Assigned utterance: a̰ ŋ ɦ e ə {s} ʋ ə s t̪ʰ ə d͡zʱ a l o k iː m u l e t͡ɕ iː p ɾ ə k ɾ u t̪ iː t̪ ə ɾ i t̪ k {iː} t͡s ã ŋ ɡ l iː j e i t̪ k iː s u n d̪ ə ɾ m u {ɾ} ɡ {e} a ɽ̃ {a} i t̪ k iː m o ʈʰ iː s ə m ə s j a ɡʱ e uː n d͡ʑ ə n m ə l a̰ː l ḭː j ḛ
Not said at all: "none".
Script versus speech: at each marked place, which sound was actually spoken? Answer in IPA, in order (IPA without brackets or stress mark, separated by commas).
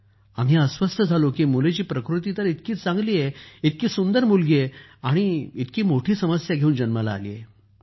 s, iː, l, e, i